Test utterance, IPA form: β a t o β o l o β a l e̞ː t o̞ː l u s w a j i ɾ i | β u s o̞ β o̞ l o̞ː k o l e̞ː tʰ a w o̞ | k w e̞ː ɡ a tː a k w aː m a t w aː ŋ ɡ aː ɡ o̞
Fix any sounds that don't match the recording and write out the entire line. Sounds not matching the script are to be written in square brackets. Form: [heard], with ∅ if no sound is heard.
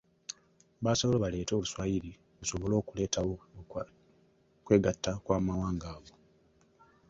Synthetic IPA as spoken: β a [s] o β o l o β a l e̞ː t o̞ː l u s w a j i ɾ i | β u s o̞ β o̞ l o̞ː k [u] l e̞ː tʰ a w o̞ | k w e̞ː ɡ a tː a k w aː m a [∅] w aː ŋ ɡ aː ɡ o̞